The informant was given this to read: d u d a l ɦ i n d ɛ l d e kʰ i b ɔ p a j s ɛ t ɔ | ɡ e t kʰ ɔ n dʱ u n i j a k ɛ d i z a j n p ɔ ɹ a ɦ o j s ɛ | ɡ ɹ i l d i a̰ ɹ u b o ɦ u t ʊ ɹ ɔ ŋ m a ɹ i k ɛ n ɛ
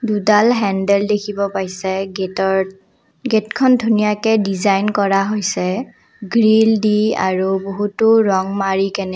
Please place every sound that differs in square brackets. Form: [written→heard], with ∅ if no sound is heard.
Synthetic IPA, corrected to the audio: d u d a l ɦ [i→ɛ] n d ɛ l d e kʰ i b ɔ p a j s ɛ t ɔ | ɡ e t kʰ ɔ n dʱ u n i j a k ɛ d i z a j n [p→k] ɔ ɹ a ɦ o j s ɛ | ɡ ɹ i l d i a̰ ɹ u b o ɦ u t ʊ ɹ ɔ ŋ m a ɹ i k ɛ n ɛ

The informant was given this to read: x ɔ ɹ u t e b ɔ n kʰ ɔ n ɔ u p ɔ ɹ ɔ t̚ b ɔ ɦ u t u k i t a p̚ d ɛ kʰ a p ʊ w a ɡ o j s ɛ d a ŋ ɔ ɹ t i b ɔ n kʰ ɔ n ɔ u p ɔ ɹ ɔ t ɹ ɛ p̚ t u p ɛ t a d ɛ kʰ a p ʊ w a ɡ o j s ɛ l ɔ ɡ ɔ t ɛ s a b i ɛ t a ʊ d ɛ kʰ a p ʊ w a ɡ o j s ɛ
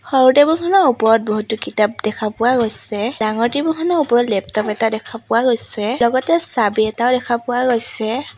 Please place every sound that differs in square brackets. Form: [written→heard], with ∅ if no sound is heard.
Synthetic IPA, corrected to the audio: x ɔ ɹ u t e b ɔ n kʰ ɔ n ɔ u p ɔ ɹ ɔ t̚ b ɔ ɦ u t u k i t a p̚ d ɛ kʰ a p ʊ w a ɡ o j s ɛ d a ŋ ɔ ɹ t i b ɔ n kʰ ɔ n ɔ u p ɔ ɹ ɔ t [ɹ→l] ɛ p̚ t [u→ɔ] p ɛ t a d ɛ kʰ a p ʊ w a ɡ o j s ɛ l ɔ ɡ ɔ t ɛ s a b i ɛ t a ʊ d ɛ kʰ a p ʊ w a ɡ o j s ɛ

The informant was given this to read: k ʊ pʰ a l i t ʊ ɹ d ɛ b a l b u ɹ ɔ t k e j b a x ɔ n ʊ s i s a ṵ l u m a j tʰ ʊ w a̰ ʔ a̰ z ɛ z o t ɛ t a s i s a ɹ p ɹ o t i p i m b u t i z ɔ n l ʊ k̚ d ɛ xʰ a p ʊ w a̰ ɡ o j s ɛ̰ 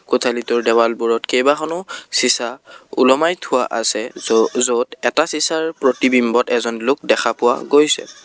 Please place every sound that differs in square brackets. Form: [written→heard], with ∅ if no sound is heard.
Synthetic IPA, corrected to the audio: k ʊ [pʰ→tʰ] a l i t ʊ ɹ d ɛ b a l b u ɹ ɔ t k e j b a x ɔ n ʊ s i s a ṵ l [u→ɔ] m a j tʰ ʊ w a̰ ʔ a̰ [z→s] ɛ z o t ɛ t a s i s a ɹ p ɹ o t i [p→b] i m b [u→ɔ] t [i→ɛ] z ɔ n l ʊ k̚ d ɛ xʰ a p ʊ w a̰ ɡ o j s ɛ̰

